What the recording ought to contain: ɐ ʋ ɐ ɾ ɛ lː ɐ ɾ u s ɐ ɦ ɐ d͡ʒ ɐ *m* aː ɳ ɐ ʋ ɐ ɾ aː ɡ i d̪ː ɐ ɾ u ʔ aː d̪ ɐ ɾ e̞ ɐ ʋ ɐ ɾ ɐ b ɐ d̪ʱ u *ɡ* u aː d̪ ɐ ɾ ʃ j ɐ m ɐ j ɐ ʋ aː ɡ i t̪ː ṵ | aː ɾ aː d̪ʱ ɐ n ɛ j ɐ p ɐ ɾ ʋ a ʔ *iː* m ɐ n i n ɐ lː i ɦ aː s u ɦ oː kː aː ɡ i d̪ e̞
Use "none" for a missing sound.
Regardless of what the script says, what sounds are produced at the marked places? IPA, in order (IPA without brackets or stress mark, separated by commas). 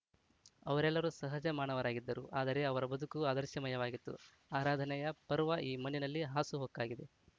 m, k, iː